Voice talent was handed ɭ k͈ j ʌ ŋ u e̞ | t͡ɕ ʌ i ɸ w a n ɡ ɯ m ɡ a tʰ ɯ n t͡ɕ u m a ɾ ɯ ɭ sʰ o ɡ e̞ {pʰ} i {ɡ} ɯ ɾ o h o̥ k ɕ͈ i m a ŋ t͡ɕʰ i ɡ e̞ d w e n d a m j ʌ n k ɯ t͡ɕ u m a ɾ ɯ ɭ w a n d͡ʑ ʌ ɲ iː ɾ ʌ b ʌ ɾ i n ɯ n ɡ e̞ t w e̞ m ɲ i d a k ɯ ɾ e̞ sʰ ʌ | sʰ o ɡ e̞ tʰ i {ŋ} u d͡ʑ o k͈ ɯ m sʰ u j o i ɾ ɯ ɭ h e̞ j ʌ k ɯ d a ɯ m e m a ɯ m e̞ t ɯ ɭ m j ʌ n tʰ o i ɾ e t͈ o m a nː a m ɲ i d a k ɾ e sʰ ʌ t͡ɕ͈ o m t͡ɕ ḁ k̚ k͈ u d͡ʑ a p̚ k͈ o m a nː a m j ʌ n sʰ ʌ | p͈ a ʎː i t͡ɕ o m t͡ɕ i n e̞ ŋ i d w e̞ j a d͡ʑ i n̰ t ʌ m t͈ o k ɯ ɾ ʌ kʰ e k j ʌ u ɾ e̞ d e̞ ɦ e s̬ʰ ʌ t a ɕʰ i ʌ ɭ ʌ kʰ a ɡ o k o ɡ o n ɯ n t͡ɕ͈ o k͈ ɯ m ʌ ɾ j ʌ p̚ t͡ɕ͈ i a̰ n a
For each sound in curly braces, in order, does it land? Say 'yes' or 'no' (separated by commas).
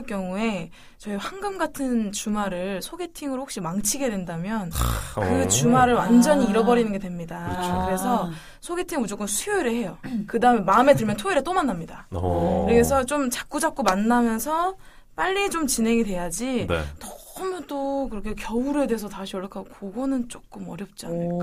no, no, yes